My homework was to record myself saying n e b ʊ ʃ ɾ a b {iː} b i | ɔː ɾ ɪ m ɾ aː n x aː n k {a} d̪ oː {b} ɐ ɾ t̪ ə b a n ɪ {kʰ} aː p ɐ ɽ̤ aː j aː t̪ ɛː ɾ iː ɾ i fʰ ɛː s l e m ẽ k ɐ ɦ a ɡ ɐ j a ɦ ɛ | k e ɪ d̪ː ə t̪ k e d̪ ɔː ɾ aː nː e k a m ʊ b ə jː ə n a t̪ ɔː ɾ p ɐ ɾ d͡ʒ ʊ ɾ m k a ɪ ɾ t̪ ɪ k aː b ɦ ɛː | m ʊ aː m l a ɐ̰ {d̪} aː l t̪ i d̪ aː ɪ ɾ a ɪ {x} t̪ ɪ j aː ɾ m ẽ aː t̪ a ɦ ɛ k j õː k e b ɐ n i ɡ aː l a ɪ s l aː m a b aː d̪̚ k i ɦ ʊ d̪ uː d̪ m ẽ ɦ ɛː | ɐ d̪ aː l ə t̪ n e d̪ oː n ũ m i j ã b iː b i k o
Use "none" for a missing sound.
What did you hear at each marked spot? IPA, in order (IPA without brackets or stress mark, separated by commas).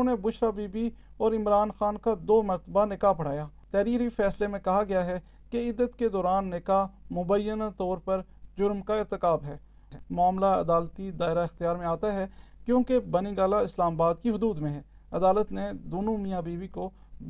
iː, a, m, k, d̪, x